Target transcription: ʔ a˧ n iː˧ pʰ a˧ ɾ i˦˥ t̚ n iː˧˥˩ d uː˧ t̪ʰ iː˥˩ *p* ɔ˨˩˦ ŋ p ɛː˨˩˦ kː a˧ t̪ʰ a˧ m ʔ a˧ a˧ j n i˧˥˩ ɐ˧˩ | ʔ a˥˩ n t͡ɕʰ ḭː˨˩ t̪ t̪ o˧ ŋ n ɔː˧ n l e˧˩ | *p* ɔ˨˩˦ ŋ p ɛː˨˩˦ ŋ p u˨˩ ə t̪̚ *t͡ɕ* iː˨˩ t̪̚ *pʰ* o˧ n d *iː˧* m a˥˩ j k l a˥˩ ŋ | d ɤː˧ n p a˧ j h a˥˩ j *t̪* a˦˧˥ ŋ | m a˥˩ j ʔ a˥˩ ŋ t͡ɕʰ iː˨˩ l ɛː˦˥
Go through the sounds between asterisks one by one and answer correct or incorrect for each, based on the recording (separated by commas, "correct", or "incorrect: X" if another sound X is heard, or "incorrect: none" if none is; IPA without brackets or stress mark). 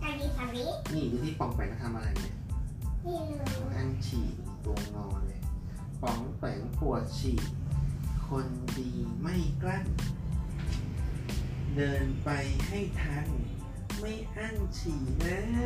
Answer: correct, correct, incorrect: t͡ɕʰ, incorrect: kʰ, correct, incorrect: t̪ʰ